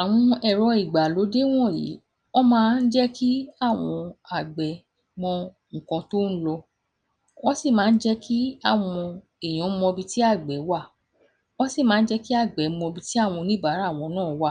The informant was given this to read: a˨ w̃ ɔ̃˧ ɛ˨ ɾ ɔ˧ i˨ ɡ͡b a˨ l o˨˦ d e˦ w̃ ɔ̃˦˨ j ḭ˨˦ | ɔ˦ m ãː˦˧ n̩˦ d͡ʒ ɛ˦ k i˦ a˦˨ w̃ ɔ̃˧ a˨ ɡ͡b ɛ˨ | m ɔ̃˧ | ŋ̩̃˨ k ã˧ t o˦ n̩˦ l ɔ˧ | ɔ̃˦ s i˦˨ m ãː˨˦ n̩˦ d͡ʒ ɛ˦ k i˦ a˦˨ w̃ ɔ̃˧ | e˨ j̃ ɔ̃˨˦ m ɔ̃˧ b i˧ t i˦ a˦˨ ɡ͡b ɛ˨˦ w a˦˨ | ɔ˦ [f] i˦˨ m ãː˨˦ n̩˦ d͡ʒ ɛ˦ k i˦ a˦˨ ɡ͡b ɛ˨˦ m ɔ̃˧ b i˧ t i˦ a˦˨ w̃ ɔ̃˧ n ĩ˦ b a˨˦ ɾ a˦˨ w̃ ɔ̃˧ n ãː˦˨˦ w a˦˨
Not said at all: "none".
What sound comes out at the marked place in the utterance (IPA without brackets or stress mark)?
s